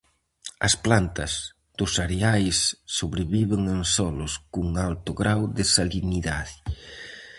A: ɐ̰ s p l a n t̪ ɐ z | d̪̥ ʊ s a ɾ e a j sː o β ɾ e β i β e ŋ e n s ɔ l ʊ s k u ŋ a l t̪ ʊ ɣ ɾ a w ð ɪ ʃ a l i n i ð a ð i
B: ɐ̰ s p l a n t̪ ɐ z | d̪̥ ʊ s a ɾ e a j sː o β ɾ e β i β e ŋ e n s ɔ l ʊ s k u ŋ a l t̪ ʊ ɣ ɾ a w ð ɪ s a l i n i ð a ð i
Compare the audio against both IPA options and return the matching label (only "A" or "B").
B